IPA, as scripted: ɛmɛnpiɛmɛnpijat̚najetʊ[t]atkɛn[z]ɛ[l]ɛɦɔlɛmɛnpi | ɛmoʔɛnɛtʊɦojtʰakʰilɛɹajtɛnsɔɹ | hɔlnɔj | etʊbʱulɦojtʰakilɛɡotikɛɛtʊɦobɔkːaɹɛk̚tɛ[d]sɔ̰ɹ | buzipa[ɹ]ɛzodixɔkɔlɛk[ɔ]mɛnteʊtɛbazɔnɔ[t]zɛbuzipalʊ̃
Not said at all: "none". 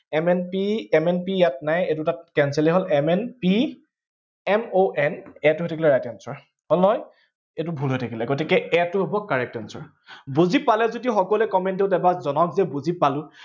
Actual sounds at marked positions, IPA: t, s, l, n, l, ɔ, k

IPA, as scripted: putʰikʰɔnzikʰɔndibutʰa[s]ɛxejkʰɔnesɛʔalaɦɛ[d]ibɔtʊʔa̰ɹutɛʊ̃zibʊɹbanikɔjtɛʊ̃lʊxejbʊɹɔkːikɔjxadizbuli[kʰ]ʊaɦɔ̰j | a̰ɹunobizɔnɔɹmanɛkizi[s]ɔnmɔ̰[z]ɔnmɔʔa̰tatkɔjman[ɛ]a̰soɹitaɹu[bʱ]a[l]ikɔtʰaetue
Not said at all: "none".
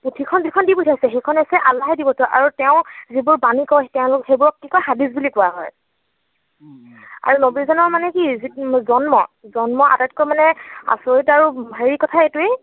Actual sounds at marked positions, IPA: s, d, k, z, z, ɛ, bʱ, ɹ

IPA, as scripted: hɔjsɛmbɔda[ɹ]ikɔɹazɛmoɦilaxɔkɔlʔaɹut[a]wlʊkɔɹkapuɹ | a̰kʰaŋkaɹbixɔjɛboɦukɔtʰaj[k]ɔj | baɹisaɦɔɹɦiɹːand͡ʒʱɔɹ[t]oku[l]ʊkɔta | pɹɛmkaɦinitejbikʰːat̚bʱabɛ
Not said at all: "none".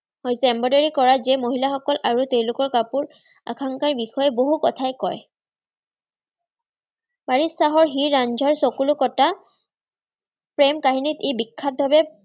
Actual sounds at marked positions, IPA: ɹ, e, k, s, l

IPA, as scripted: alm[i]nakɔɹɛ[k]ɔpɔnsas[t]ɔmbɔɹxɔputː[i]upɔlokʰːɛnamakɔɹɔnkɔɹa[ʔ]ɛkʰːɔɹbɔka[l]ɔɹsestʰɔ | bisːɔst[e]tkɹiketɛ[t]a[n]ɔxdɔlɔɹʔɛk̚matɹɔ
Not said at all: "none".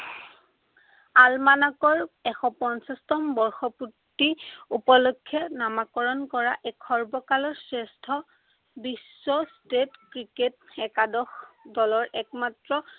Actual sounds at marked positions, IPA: a, x, t, i, ʔ, l, e, k, d

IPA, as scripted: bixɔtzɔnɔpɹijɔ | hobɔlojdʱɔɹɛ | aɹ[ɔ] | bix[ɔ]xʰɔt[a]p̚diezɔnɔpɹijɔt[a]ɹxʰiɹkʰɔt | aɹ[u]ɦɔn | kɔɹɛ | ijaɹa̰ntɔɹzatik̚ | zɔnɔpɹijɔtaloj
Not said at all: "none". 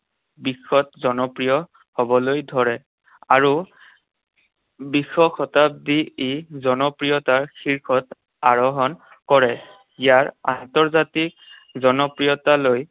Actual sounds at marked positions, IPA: u, ɔ, a, a, ɔ

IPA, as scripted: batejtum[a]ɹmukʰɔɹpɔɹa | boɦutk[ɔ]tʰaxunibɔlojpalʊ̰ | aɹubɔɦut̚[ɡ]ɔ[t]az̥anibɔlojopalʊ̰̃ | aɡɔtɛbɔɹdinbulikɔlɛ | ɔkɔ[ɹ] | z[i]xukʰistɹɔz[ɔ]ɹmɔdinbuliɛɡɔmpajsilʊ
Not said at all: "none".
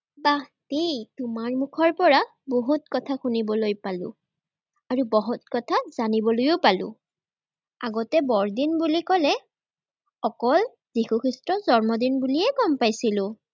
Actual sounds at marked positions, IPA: a, ɔ, k, tʰ, l, i, ɔ

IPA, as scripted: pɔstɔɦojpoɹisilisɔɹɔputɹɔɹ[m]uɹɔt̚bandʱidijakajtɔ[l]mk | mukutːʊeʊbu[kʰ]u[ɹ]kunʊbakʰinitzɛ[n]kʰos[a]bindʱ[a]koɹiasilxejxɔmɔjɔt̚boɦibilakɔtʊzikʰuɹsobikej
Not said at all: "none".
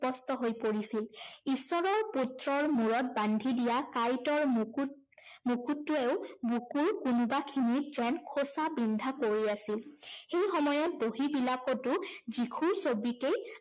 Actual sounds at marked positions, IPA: m, ɹ, k, ɹ, n, a, a

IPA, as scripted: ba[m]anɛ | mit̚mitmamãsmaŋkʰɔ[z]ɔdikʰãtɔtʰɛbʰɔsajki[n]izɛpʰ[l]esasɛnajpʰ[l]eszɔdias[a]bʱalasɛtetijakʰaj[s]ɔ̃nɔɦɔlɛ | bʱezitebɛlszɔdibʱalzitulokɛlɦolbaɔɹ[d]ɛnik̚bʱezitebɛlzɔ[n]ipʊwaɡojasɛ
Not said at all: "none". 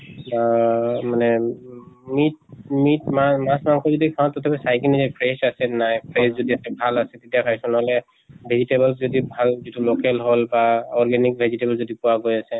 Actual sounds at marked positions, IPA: m, z, n, ɹ, ɹ, ɛ, s, ɡ, d

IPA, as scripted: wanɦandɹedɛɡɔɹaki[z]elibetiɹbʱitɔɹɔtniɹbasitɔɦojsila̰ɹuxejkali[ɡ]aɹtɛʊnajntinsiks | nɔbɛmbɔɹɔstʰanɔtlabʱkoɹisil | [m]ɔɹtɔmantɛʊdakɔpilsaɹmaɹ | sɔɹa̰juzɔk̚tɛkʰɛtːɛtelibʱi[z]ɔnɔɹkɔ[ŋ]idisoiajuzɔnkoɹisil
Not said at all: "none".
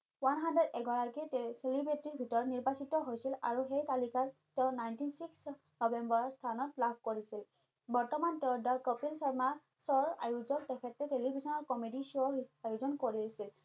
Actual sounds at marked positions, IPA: s, k, b, s, m

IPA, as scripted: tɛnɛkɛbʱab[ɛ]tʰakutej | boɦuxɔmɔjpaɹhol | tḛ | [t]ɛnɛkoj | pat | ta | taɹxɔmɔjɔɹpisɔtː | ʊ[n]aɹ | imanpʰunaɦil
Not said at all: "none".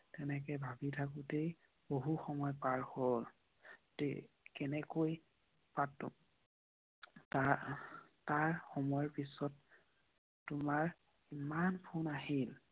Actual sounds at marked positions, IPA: i, k, m

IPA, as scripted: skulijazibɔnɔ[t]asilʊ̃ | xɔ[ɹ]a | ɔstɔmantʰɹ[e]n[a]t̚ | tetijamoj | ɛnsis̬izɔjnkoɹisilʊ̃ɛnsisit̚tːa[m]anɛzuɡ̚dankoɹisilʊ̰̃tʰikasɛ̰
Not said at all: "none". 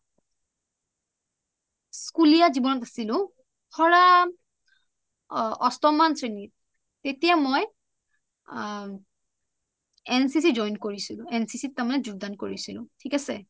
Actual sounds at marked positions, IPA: t, ɹ, e, i, m

